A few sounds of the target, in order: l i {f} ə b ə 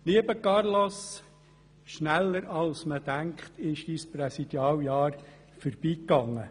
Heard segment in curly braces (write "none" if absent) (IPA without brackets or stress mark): none